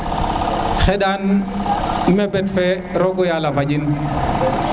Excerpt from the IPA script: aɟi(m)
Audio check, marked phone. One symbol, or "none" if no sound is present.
n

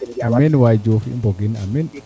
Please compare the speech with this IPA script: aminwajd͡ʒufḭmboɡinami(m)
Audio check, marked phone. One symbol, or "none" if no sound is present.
n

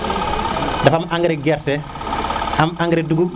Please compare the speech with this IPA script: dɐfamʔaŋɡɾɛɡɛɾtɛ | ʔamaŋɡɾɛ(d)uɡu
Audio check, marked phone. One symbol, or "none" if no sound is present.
d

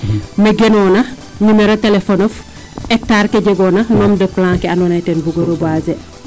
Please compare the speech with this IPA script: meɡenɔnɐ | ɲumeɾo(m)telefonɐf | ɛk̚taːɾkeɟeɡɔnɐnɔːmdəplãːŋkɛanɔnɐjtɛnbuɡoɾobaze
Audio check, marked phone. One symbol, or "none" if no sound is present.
none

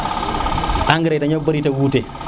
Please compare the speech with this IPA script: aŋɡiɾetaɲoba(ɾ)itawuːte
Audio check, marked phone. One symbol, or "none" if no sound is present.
ɾ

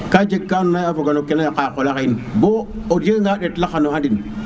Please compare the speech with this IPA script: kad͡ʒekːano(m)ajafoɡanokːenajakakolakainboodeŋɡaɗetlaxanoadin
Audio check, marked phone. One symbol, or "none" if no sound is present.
n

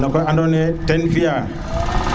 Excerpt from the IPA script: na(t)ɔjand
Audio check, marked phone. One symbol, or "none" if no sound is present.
k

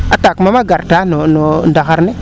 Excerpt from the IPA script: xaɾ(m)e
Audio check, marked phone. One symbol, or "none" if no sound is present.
n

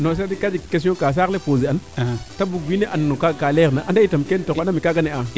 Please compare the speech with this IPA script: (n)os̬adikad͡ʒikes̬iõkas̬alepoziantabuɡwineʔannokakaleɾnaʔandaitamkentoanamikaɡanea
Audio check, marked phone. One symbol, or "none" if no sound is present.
n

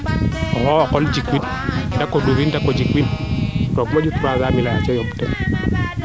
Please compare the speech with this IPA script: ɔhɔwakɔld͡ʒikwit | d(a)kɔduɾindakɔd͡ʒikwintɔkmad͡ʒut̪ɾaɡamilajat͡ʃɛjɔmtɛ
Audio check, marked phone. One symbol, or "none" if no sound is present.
a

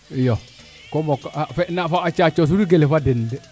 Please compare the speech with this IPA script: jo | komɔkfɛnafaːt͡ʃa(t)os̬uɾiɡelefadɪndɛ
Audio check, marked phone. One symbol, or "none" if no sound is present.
t͡ʃ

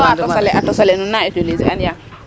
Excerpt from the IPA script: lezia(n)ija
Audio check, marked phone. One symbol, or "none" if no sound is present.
n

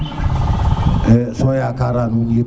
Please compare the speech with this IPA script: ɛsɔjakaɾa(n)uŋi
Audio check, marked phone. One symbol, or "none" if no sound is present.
n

